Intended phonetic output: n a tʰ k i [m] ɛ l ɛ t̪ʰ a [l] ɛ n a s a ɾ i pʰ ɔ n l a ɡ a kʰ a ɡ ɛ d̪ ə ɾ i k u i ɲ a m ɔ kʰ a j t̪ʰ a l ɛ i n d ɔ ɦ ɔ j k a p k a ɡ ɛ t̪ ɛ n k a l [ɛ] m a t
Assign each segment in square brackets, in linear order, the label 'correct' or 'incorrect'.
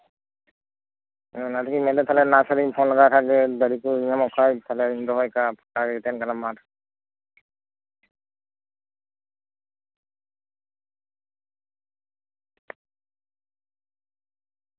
correct, correct, incorrect: a

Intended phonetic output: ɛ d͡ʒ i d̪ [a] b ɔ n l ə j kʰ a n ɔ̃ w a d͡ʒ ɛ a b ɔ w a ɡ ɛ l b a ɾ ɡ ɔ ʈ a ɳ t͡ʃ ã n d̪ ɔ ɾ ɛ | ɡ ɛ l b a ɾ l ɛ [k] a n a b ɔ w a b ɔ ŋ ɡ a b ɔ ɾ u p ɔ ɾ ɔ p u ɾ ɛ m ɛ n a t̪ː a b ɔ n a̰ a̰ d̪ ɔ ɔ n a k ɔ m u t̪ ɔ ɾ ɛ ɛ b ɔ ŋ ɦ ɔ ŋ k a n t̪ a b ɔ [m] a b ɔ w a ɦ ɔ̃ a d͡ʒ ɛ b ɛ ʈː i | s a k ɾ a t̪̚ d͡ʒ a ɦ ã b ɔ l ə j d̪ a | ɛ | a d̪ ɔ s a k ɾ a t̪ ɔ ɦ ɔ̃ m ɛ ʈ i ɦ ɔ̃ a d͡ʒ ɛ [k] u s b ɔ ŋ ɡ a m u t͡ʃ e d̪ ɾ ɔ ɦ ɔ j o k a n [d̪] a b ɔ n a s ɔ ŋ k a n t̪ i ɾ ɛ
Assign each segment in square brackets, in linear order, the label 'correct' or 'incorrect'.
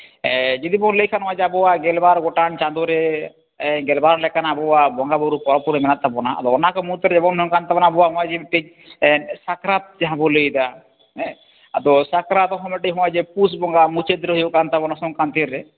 incorrect: i, correct, incorrect: n, incorrect: p, incorrect: t̪

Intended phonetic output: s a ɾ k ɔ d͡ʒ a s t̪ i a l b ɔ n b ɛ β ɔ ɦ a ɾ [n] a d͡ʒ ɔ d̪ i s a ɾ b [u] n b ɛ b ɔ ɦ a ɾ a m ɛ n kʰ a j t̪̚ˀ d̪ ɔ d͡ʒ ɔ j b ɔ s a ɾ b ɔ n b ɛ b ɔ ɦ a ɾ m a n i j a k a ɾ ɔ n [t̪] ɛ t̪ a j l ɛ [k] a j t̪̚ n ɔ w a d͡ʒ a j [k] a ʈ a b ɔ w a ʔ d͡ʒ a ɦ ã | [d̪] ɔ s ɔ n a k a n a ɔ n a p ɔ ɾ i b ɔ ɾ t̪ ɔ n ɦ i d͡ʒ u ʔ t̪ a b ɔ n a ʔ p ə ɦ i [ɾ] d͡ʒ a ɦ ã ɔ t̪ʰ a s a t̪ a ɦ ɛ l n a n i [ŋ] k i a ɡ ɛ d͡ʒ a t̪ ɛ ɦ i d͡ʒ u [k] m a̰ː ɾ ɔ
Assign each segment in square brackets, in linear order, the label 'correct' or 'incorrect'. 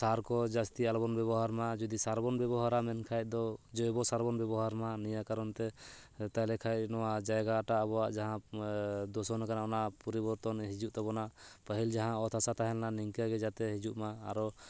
incorrect: m, incorrect: ɔ, correct, incorrect: kʰ, incorrect: ɡ, correct, incorrect: l, correct, incorrect: ʔ

